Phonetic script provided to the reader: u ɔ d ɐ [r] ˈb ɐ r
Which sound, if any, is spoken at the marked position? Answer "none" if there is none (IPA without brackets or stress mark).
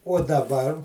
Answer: none